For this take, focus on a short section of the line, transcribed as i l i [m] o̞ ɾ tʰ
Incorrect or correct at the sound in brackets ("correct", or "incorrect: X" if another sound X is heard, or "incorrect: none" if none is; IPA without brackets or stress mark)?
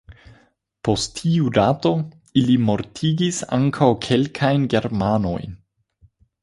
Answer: correct